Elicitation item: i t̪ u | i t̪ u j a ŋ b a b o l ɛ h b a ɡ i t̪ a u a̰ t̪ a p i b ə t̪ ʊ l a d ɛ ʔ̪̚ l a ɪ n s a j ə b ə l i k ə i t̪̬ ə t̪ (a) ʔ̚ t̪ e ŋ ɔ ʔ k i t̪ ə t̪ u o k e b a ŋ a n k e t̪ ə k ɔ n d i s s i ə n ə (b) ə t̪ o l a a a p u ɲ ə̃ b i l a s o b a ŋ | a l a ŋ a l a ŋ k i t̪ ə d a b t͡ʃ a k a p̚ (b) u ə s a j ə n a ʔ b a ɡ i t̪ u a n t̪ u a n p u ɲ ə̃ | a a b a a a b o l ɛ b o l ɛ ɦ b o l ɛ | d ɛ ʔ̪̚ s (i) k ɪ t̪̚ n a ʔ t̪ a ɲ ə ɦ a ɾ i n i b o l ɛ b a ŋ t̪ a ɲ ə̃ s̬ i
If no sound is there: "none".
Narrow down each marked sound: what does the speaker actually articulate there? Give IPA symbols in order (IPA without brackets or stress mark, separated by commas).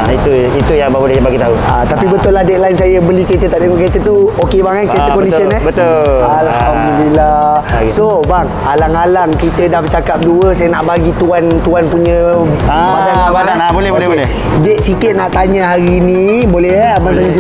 a, b, d, i